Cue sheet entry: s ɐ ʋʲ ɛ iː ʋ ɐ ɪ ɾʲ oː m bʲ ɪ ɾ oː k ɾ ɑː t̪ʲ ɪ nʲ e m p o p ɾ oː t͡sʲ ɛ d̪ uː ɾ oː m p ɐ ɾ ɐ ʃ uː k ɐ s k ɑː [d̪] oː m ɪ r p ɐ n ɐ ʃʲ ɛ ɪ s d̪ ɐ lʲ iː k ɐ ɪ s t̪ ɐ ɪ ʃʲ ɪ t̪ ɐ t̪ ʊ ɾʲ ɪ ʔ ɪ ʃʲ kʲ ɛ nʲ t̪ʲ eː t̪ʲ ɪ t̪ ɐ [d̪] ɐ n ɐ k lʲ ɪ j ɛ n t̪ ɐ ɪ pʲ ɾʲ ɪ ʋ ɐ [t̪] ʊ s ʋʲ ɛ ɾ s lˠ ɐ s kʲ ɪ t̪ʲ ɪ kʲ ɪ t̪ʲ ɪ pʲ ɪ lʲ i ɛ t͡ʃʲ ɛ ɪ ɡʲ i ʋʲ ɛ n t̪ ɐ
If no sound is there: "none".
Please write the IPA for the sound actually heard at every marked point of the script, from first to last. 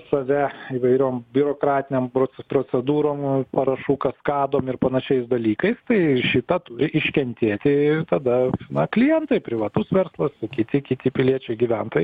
d̪, d̪, t̪

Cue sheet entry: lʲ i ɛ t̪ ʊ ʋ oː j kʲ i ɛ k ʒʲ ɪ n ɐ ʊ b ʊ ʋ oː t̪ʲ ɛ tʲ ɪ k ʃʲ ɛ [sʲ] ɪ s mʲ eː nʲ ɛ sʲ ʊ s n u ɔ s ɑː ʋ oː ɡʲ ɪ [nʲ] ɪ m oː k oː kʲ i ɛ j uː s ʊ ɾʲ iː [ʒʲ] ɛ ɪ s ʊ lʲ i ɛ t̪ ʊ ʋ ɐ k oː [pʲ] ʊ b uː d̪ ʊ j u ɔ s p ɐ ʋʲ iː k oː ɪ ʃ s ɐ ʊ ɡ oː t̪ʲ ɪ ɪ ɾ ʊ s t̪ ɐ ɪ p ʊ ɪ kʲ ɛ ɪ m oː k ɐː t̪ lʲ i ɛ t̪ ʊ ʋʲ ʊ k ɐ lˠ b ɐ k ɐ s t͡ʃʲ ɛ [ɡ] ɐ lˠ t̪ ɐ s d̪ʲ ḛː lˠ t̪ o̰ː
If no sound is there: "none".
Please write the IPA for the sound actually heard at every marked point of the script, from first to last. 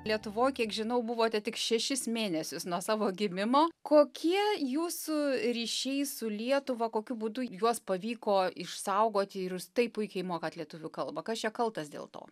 ʃʲ, mʲ, ʃʲ, kʲ, k

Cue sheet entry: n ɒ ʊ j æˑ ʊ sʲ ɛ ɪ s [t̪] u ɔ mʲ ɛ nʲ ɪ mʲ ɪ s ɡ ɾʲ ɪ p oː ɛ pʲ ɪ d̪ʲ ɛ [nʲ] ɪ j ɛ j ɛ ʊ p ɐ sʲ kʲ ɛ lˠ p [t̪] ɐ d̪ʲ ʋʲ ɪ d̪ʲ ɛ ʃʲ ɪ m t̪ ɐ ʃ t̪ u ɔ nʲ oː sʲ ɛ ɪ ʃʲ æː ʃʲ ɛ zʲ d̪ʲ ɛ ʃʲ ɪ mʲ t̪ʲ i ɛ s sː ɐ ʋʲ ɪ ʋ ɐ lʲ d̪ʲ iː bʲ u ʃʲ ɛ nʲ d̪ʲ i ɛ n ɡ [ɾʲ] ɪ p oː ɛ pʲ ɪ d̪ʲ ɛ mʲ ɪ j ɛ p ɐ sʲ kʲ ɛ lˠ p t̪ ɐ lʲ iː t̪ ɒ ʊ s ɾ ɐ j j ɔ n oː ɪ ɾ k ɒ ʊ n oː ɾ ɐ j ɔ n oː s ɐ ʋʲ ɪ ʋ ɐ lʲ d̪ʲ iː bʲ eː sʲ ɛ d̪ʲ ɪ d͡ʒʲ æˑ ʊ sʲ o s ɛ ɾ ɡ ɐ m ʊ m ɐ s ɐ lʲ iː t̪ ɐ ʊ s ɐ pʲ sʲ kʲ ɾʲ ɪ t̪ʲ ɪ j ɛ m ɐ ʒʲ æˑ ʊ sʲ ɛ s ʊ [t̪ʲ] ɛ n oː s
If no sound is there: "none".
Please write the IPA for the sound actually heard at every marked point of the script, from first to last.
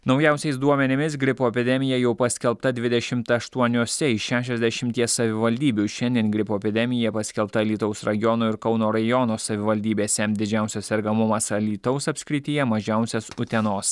d̪, mʲ, t̪, ɾʲ, t̪ʲ

